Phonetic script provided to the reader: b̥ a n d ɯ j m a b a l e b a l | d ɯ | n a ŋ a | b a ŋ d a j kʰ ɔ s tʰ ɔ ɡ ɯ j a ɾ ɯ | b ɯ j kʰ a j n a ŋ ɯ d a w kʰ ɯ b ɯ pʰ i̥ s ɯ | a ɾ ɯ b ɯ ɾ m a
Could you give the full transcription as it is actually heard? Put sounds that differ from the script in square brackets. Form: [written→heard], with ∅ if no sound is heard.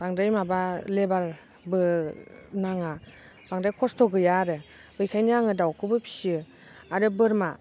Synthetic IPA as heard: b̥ a [n→ŋ] d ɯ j m a b a l e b a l | [d→b] ɯ | n a ŋ a | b a ŋ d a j kʰ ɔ s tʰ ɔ ɡ ɯ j a ɾ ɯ | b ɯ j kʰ a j n a ŋ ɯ d a w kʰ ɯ b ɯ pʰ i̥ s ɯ | a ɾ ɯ b ɯ ɾ m a